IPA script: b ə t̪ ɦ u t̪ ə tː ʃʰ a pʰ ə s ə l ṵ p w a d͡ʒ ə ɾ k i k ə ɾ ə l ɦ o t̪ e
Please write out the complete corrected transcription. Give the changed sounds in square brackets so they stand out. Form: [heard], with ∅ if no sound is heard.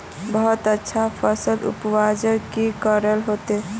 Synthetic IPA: b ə [∅] ɦ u t̪ ə tː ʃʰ a pʰ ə s ə l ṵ p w a d͡ʒ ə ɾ k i k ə ɾ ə l ɦ o t̪ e